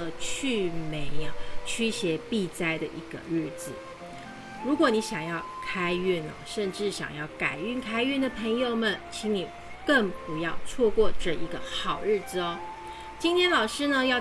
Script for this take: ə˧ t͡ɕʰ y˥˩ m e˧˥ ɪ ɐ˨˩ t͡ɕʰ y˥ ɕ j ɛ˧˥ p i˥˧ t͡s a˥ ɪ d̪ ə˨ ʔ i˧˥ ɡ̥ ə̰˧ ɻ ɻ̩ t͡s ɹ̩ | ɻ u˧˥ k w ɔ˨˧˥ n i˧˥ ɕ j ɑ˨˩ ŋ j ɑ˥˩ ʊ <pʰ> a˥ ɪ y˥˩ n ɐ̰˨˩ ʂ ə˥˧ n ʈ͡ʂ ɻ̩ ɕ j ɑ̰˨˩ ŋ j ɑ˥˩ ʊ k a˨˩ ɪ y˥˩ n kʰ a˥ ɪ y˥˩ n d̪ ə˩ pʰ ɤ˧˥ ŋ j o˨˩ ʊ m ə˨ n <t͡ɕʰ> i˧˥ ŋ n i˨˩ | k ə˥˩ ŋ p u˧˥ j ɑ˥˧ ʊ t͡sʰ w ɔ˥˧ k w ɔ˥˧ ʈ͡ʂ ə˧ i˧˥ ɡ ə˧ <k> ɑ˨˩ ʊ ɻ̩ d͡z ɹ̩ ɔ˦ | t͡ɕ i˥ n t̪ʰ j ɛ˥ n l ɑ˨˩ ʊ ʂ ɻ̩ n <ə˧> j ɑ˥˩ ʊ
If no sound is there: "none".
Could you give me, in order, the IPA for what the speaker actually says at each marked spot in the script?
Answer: kʰ, t͡ɕʰ, x, ə˧

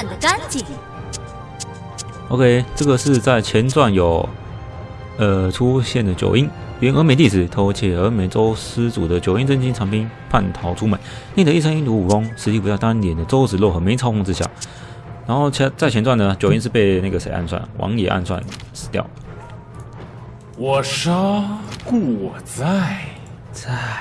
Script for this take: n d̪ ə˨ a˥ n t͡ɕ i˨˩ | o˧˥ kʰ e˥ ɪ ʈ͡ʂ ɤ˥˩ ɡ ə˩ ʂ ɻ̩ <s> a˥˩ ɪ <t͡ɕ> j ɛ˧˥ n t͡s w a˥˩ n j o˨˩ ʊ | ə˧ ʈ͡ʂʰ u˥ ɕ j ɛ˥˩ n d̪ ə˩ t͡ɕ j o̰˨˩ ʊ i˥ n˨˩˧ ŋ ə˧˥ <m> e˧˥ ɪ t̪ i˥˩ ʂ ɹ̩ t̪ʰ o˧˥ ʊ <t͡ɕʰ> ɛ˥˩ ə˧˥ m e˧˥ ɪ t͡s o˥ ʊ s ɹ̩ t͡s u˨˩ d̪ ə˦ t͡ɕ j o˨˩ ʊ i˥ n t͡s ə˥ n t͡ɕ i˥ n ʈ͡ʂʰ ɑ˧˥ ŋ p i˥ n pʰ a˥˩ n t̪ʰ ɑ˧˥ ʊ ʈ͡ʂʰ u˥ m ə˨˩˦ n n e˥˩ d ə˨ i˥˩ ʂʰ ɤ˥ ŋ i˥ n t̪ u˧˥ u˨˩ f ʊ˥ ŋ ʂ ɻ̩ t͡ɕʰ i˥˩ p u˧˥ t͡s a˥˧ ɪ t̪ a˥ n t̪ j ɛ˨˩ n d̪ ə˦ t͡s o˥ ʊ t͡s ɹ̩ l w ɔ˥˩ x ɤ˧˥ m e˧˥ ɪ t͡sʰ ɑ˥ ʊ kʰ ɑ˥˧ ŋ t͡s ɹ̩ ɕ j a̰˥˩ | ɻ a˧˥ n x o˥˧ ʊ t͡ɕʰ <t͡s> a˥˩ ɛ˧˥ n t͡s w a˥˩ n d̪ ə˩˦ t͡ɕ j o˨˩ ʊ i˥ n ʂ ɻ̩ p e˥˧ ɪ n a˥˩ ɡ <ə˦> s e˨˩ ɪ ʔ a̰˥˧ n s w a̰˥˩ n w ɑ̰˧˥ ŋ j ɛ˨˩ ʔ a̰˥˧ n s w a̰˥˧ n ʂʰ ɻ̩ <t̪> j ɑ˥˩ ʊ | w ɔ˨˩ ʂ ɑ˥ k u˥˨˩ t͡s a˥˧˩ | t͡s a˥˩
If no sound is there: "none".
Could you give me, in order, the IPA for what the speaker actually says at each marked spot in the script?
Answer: t͡s, t͡ɕʰ, m, t͡ɕʰ, t͡s, ə˩, t̪

